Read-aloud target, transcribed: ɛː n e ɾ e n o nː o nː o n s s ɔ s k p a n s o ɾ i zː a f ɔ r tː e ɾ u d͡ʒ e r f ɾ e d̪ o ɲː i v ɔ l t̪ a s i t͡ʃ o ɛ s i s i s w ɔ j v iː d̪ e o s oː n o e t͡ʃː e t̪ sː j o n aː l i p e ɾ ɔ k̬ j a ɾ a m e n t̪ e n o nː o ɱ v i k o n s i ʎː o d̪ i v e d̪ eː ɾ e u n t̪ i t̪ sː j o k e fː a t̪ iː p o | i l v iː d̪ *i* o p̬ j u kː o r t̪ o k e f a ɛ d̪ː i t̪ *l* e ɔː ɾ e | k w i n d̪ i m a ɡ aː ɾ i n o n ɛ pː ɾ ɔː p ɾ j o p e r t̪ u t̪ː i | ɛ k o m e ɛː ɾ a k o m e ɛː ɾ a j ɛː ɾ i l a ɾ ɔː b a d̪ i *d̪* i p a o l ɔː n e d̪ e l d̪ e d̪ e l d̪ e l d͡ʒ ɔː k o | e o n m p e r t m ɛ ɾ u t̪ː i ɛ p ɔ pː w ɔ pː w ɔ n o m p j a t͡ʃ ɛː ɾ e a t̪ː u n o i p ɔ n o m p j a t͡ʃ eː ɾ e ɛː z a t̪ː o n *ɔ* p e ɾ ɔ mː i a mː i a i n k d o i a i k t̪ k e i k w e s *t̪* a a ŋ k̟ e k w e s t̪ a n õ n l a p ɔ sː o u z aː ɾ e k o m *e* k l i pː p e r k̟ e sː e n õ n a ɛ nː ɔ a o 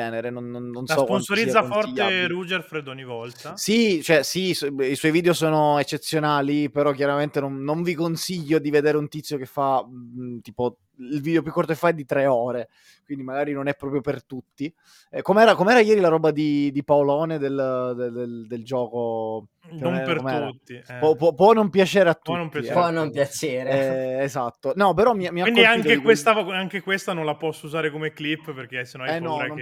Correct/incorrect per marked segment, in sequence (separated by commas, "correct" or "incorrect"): incorrect, incorrect, correct, correct, correct, correct